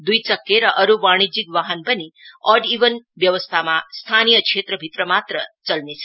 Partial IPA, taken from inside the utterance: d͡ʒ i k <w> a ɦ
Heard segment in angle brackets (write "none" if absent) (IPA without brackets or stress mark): ʋ